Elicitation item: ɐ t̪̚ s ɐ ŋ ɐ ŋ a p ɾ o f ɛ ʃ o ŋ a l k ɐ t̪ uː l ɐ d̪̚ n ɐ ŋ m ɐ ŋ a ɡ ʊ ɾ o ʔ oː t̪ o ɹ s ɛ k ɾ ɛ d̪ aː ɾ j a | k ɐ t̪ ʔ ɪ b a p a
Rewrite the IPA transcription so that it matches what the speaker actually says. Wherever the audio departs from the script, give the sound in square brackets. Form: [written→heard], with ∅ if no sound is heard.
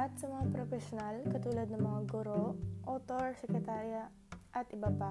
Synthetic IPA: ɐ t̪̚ s ɐ [ŋ→m] ɐ ŋ a p ɾ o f ɛ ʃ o [ŋ→n] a l k ɐ t̪ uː l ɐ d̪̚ n ɐ ŋ m ɐ ŋ a ɡ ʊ ɾ o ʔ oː t̪ o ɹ s ɛ k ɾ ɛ [d̪→t̪] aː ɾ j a | [k→ʔ] ɐ t̪ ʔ ɪ b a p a